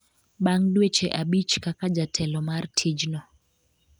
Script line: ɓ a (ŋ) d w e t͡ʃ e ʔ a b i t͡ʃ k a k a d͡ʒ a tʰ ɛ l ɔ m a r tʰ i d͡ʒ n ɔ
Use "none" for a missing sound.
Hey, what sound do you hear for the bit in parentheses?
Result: ŋ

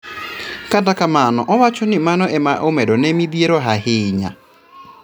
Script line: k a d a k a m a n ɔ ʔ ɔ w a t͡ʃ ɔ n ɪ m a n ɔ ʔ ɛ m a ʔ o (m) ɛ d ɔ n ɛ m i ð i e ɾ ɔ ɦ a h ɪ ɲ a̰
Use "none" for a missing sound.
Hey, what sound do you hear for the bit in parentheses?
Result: m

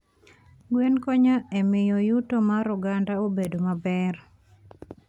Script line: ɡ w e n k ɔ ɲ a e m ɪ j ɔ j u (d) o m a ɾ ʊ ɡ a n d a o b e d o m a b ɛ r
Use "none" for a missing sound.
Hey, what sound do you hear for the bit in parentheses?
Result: t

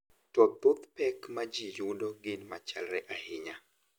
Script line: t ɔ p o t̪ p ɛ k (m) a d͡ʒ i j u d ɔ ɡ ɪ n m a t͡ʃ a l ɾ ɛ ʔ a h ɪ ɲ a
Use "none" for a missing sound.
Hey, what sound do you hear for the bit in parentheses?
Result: m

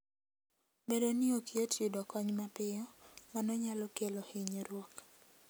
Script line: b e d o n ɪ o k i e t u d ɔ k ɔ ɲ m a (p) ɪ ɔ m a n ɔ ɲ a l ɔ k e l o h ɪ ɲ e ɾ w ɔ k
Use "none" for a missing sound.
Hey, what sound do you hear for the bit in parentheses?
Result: p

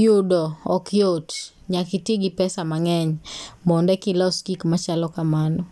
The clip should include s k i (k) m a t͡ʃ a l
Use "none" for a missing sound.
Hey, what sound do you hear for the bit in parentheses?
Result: k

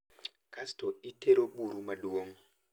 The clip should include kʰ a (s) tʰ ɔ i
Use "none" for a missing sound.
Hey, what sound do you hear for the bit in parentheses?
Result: s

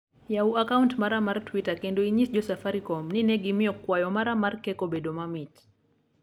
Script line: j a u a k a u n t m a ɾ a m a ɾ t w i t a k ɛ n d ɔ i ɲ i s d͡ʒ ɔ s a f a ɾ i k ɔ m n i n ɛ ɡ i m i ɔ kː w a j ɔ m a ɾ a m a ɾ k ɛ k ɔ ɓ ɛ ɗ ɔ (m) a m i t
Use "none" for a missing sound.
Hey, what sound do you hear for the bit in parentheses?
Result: m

